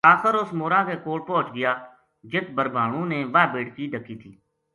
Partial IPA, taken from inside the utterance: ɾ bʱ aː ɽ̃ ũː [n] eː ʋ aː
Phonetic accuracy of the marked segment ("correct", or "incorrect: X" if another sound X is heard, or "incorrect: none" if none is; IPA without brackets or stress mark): correct